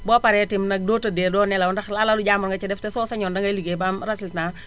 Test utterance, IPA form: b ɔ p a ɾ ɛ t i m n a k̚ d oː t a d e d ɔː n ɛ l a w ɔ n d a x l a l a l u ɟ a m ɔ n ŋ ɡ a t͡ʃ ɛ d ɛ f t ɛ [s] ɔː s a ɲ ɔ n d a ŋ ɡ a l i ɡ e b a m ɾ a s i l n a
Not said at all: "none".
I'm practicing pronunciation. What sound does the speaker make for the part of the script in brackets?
s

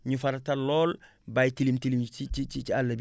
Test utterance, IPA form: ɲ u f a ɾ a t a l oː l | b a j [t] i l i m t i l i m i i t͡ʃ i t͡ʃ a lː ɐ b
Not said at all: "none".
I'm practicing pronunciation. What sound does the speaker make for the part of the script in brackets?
t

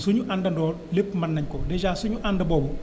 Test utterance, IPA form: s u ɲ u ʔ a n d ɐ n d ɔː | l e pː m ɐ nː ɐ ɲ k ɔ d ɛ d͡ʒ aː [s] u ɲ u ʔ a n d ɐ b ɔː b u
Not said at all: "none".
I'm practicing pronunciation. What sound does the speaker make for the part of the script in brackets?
s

